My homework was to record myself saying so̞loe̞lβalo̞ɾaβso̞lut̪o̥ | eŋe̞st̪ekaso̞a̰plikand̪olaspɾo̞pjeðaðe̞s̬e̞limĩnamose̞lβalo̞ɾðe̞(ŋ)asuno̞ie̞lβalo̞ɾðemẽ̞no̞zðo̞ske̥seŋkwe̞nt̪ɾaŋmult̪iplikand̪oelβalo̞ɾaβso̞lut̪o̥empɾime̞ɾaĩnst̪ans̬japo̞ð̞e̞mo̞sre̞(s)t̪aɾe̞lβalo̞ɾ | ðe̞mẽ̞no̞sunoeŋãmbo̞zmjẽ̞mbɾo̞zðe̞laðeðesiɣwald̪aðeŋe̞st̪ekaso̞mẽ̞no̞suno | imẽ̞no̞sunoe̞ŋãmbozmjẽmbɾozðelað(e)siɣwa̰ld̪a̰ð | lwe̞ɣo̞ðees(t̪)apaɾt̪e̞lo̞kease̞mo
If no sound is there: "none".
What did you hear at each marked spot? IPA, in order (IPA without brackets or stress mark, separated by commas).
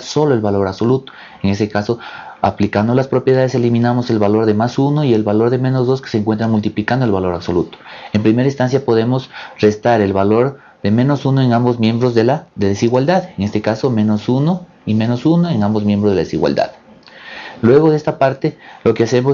m, s, e, t̪